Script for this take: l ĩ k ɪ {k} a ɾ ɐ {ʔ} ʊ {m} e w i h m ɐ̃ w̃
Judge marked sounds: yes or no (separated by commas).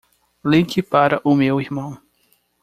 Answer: no, yes, yes